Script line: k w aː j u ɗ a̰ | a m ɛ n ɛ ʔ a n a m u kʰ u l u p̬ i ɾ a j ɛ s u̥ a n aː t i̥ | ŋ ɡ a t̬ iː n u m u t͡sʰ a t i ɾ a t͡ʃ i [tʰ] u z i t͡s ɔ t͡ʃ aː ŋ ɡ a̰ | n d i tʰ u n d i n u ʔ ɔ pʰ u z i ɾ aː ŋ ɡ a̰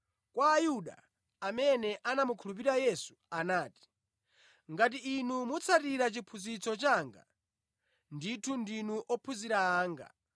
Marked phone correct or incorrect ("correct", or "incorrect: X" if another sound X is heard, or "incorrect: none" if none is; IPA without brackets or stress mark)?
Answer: incorrect: pʰ